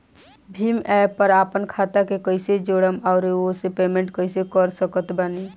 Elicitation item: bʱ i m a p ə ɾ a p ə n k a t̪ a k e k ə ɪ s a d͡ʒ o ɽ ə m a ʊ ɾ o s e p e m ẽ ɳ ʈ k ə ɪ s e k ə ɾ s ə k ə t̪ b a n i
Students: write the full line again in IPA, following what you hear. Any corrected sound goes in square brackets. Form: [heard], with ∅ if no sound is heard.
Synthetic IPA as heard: bʱ i m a p ə ɾ a p ə n [kʰ] a t̪ a k e k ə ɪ s [e] d͡ʒ o ɽ ə m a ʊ ɾ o s e p e m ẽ ɳ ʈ k ə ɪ s e k ə ɾ s ə k ə t̪ b a n i